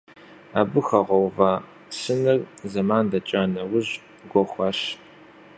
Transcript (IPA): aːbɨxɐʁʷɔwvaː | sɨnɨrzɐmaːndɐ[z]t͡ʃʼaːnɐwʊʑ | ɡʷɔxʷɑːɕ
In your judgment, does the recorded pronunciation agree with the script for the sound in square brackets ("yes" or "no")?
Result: no